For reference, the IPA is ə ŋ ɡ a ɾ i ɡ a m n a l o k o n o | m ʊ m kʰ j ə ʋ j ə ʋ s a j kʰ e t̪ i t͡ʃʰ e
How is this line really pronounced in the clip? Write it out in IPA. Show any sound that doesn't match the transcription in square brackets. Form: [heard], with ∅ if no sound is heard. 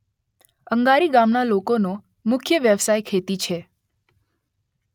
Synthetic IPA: ə ŋ ɡ a ɾ i ɡ a m n a l o k o n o | m ʊ [∅] kʰ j ə ʋ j ə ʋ s a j kʰ e t̪ i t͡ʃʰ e